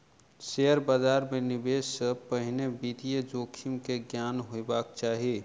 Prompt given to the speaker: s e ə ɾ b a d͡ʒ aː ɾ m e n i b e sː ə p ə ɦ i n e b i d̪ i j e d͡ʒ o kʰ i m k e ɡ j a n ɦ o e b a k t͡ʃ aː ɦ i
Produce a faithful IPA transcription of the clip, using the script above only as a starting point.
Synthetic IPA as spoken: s e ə ɾ b a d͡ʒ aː ɾ m e n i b e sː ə p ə ɦ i n e b i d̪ i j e d͡ʒ o kʰ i m k e ɡ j a n ɦ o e b a k t͡ʃ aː ɦ i